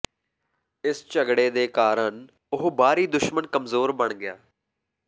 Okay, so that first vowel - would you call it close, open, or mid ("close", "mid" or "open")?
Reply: close